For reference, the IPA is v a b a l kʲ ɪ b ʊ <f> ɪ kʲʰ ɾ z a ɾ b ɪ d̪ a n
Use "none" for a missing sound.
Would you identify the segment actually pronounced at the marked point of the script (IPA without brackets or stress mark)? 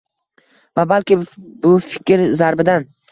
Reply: f